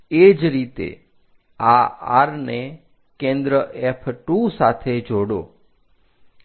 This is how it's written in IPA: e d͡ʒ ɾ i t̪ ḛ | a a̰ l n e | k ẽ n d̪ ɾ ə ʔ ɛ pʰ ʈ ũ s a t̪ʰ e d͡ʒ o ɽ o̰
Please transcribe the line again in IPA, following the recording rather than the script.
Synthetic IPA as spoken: e d͡ʒ ɾ i t̪ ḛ | a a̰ ɾ n e | k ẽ n d̪ ɾ ə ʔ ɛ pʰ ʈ u s a t̪ʰ e d͡ʒ o ɽ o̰